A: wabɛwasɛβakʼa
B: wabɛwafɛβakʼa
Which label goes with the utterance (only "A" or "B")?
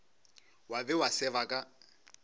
A